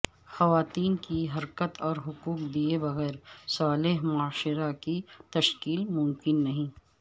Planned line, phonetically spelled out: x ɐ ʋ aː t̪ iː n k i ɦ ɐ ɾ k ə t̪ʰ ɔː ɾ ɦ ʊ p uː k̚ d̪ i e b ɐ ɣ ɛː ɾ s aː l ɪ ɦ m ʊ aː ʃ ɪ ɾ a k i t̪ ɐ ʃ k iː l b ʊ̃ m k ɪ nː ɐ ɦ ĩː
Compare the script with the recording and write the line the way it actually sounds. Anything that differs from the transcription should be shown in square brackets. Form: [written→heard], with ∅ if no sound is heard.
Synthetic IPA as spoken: x ɐ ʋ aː t̪ iː n k i ɦ ɐ ɾ k ə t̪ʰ ɔː ɾ ɦ ʊ [p→k] uː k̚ d̪ i e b ɐ ɣ ɛː ɾ s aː l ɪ ɦ m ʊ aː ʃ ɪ ɾ a k i t̪ ɐ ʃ k iː l [b→m] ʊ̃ m k ɪ nː ɐ ɦ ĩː

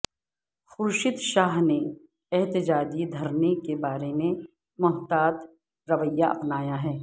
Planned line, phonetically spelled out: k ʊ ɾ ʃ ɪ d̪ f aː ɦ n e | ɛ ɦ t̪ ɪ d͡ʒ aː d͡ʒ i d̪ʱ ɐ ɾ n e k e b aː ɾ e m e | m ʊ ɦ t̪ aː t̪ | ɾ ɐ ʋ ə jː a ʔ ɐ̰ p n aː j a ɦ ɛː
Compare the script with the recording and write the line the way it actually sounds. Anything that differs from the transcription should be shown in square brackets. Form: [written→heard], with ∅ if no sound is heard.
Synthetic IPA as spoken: [k→x] ʊ ɾ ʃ ɪ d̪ [f→ʃ] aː ɦ n e | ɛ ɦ t̪ ɪ d͡ʒ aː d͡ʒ i d̪ʱ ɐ ɾ n e k e b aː ɾ e m e | m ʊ ɦ t̪ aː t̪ | ɾ ɐ ʋ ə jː a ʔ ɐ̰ p n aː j a ɦ ɛː

